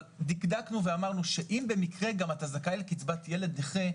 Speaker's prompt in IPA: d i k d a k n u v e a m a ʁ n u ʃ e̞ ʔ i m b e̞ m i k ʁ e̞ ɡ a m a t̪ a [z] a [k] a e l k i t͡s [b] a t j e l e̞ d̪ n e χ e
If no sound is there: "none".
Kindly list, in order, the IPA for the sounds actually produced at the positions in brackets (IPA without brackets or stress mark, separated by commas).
z, k, b